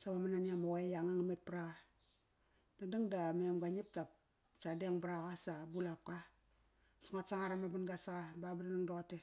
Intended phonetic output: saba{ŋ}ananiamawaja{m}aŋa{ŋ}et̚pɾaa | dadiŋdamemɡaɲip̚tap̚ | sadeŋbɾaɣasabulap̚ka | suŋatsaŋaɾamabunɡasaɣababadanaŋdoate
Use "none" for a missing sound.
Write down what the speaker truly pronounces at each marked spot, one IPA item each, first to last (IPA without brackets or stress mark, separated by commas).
m, ŋ, m